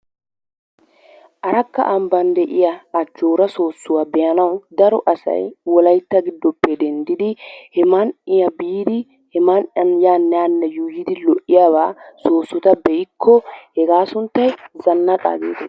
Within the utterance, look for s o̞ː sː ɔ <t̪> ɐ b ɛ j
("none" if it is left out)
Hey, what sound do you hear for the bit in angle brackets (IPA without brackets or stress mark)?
t̪